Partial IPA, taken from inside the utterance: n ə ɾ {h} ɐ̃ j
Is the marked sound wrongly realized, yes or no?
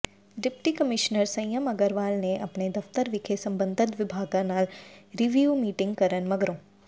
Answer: yes